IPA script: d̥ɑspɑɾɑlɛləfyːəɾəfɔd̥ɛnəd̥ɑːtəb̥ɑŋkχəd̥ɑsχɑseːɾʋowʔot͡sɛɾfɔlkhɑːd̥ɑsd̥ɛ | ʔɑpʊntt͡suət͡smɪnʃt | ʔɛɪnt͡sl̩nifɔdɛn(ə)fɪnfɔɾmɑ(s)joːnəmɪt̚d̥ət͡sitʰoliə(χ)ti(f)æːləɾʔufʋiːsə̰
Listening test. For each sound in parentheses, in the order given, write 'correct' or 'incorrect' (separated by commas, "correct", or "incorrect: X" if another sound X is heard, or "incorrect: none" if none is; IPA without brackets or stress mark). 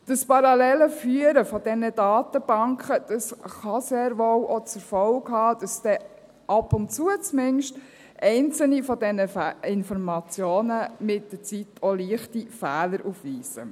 correct, incorrect: t͡s, correct, correct